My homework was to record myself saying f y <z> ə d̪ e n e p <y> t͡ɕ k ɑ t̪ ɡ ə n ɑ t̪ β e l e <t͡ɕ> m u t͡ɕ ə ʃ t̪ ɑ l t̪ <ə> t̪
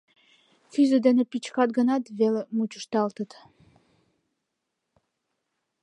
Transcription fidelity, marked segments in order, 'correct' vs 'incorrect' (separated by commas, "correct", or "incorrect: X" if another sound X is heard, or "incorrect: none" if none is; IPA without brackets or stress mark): correct, incorrect: i, incorrect: none, correct